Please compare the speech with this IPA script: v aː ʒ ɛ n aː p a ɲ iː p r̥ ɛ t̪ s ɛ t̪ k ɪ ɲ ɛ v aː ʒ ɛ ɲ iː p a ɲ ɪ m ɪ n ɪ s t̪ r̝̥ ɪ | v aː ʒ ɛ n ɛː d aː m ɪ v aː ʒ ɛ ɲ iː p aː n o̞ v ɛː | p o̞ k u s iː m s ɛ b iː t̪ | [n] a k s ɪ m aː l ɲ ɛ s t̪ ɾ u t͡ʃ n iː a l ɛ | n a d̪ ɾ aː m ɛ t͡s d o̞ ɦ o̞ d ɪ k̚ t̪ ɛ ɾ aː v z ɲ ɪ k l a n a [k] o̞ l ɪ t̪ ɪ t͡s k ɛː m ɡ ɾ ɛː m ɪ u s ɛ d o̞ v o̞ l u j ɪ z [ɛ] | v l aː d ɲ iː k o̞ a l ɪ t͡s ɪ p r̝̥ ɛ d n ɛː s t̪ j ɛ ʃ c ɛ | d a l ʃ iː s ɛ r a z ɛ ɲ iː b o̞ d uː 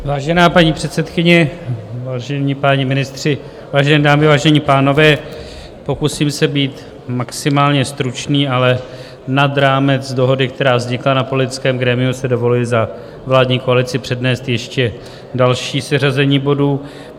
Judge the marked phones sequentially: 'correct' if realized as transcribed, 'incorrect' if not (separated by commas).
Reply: incorrect, incorrect, incorrect